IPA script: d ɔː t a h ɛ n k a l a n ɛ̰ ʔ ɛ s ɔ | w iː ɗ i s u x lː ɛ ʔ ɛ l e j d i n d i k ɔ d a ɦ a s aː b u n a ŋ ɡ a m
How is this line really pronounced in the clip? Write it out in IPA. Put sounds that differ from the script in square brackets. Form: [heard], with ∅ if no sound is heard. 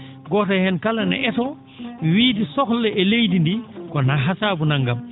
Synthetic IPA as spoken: [ɡ] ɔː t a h ɛ n k a l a n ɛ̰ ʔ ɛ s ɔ | w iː [d] i s [ɔ] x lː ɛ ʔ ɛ l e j d i n d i k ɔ [n] a ɦ a s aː b u n a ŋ ɡ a m